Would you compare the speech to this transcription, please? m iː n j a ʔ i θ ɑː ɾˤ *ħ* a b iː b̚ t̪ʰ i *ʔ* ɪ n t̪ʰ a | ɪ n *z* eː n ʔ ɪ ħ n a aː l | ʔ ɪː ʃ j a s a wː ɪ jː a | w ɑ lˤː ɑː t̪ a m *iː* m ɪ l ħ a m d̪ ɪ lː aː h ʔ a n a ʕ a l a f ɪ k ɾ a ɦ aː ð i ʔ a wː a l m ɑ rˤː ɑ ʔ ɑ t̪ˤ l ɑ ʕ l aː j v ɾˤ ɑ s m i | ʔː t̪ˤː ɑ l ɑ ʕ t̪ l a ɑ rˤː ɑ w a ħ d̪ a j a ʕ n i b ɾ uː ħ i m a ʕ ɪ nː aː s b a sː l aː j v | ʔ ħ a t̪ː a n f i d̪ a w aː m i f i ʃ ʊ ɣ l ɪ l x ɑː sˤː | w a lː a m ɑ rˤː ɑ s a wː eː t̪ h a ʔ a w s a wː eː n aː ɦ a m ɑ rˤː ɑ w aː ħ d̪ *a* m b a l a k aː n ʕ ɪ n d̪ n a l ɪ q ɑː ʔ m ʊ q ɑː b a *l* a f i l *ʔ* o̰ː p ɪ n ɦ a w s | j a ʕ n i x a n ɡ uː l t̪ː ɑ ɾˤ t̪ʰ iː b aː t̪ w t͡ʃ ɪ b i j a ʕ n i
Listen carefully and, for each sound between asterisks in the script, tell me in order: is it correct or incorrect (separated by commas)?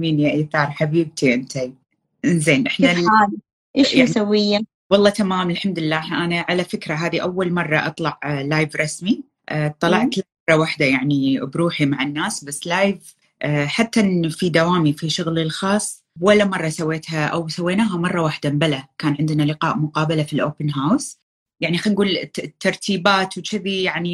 correct, correct, correct, incorrect, correct, correct, correct